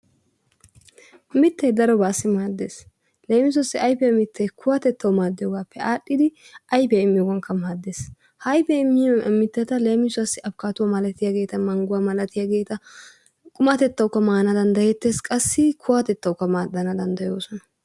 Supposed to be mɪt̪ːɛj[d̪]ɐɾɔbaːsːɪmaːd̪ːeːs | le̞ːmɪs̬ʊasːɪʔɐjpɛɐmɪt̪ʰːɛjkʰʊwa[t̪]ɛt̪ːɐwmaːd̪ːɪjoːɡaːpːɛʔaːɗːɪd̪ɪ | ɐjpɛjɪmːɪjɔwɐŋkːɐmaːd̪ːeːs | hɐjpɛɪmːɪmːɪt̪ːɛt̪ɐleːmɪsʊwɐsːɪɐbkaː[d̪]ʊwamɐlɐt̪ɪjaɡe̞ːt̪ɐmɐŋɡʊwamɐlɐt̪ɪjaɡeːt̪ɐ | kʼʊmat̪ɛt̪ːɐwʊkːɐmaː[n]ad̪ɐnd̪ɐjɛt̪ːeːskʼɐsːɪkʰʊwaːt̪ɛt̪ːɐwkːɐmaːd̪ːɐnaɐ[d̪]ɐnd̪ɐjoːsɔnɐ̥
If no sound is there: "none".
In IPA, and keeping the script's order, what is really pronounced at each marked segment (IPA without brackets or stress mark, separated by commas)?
d̪, t̪, t̪, n, d̪